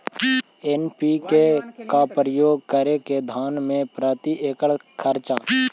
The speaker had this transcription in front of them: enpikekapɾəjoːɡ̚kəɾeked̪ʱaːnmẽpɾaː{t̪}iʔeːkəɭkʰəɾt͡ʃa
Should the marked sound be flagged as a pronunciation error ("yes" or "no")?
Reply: no